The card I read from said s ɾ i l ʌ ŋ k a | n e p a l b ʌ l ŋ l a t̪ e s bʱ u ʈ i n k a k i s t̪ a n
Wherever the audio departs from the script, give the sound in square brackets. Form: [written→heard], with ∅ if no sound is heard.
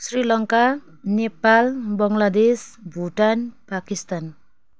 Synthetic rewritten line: s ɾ i l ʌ ŋ k a | n e p a l b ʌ [l→∅] ŋ l a [t̪→d̪] e s bʱ u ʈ [i→a] n [k→p] a k i s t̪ a n

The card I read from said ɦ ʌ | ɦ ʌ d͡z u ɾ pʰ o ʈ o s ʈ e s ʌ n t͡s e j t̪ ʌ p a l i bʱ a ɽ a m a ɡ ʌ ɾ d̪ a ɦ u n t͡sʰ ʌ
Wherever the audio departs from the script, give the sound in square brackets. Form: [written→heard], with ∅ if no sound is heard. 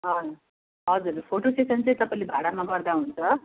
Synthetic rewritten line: ɦ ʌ | ɦ ʌ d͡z u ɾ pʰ o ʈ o s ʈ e s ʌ n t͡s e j t̪ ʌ p a l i bʱ a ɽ a m a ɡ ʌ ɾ d̪ a ɦ u n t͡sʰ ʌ

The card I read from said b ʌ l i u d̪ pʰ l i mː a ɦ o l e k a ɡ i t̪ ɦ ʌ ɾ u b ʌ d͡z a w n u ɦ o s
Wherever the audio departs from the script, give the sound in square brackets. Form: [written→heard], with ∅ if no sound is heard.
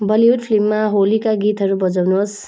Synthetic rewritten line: b ʌ l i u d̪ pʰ l i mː a ɦ o l [e→i] k a ɡ i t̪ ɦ ʌ ɾ u b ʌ d͡z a w n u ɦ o s

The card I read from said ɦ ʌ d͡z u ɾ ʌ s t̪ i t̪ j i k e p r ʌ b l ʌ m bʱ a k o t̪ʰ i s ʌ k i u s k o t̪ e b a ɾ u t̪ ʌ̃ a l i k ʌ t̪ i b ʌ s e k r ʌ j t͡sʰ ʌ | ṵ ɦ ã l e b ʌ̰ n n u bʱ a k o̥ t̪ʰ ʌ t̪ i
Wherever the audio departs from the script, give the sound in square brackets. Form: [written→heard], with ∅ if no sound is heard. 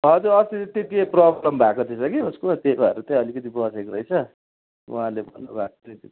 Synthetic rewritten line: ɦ ʌ d͡z u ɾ ʌ s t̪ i t̪ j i k e p r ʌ b l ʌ m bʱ a k o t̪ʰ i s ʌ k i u s k o t̪ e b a ɾ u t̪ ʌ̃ [a→ʌ] l i k ʌ t̪ i b ʌ s e k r ʌ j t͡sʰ ʌ | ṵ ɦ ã l e b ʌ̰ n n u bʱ a k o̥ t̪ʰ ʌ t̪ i

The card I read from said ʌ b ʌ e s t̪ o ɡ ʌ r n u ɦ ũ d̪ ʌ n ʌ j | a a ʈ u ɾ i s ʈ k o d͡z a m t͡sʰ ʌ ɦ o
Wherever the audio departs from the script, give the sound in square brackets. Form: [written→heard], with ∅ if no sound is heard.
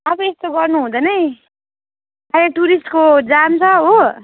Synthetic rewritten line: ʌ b ʌ e s t̪ o ɡ ʌ r n u ɦ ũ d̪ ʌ n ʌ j | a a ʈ u ɾ i s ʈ k o d͡z a m t͡sʰ ʌ ɦ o

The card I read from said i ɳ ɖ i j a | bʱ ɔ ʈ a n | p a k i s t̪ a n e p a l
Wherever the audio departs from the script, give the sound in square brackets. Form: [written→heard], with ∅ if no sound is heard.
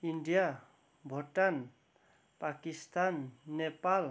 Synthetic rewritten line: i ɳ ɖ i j a | bʱ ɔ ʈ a n | p a k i s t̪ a [n→nː] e p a l

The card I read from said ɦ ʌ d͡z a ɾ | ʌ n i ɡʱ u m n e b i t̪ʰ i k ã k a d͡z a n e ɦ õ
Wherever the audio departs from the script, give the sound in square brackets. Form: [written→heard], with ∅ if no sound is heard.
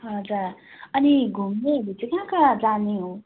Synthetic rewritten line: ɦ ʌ d͡z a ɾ | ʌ n i ɡʱ u m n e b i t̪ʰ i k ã k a d͡z a n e ɦ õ

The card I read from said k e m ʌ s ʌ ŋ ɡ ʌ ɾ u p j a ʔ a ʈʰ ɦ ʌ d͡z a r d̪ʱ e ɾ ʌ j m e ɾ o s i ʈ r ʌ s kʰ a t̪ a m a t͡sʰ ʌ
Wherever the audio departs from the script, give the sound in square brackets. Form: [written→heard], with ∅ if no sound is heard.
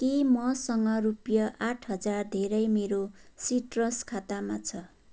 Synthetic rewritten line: k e m ʌ s ʌ ŋ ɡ ʌ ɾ u p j [a→ʌ] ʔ a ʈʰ ɦ ʌ d͡z a r d̪ʱ e ɾ ʌ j m e ɾ o s i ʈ r ʌ s kʰ a t̪ a m a t͡sʰ ʌ

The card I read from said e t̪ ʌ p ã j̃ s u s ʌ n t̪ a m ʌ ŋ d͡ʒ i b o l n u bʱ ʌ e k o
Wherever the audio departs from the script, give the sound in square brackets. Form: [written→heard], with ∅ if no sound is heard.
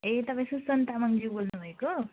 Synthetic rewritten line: e t̪ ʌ p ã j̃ s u s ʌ n t̪ a m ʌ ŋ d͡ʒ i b o l n u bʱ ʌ e k o

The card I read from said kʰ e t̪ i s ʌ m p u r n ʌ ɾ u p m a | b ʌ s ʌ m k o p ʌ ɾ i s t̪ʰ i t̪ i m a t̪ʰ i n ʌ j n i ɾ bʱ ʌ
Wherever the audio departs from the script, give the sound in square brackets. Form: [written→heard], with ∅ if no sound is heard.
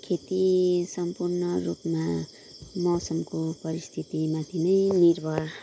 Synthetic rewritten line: kʰ e t̪ i s ʌ m p u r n ʌ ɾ u p m a | [b→m] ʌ s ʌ m k o p ʌ ɾ i s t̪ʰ i t̪ i m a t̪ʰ i n ʌ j n i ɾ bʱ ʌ

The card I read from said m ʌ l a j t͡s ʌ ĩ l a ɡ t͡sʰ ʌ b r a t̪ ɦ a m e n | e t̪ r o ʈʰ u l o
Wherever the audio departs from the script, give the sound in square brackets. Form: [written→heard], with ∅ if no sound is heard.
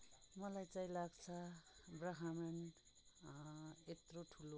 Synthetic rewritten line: m ʌ l a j t͡s [ʌ→a] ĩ l a ɡ t͡sʰ ʌ b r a [t̪→∅] ɦ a m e n | e t̪ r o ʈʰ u l o

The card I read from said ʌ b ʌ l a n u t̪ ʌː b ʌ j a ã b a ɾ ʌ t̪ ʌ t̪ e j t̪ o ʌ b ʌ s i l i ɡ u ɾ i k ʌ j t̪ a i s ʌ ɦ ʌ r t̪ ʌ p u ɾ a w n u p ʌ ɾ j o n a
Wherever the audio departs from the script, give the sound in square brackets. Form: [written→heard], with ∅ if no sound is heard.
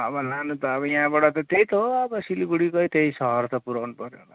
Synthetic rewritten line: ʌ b ʌ l a n u t̪ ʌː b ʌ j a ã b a [ɾ→ɽ] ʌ t̪ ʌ t̪ e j t̪ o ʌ b ʌ s i l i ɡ u [ɾ→ɽ] i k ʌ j t̪ [a→e] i s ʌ ɦ ʌ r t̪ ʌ p u ɾ a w n u p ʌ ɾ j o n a

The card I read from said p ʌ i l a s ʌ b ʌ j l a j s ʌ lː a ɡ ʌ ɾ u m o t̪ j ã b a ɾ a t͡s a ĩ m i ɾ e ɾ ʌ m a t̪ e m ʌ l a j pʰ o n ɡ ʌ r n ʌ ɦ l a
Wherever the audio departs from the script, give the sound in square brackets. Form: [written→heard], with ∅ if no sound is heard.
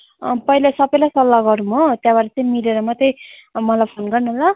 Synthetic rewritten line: p ʌ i l a s ʌ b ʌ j l a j s ʌ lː a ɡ ʌ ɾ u m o t̪ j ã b a ɾ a t͡s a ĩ m i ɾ e ɾ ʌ m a t̪ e m ʌ l a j pʰ o n ɡ ʌ r n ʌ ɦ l a

